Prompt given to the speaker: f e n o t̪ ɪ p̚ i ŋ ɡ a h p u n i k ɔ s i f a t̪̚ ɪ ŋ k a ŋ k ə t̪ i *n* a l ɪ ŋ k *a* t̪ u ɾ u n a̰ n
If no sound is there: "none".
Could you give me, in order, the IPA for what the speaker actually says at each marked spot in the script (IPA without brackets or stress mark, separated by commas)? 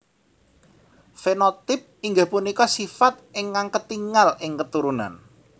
ŋ, ə